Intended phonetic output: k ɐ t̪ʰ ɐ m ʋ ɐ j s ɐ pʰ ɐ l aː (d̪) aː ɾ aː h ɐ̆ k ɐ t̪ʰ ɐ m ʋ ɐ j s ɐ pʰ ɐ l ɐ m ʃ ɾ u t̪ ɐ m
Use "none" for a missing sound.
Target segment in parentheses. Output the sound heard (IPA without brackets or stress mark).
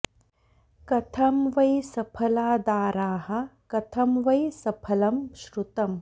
d̪